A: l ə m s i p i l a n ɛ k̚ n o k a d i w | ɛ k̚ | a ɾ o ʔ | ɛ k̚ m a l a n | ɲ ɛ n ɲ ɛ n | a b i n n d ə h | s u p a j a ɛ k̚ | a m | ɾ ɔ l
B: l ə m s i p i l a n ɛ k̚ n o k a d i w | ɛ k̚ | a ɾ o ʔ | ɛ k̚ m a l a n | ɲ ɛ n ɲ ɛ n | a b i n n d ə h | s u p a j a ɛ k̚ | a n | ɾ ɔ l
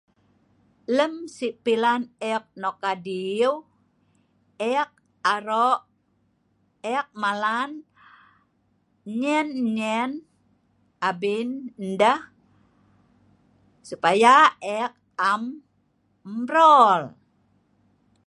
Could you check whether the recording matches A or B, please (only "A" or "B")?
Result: A